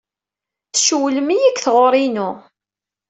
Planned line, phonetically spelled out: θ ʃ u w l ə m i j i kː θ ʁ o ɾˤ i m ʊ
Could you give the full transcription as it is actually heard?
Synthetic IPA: θ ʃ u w l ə m i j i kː θ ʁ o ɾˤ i n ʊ